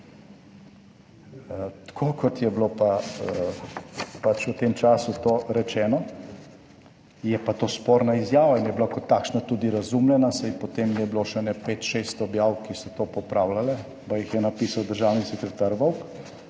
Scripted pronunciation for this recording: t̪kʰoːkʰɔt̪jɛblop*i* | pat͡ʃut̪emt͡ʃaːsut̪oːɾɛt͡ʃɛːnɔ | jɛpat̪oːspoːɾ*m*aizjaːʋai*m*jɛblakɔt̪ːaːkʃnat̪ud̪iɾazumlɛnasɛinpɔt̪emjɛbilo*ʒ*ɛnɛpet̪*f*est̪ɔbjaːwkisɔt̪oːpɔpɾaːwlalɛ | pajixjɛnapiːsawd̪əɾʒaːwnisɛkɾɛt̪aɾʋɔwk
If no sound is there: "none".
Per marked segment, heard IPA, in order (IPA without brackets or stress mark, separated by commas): a, n, n, ʃ, ʃ